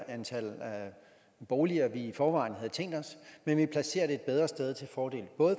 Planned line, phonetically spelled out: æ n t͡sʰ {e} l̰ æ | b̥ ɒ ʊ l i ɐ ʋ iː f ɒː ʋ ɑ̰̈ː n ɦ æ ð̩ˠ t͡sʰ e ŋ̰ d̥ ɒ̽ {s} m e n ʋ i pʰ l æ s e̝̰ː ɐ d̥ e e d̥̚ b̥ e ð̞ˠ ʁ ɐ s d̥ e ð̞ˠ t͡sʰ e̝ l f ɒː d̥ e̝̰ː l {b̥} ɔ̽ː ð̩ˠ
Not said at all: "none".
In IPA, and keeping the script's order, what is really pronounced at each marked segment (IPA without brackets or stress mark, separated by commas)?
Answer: æ, s, b̥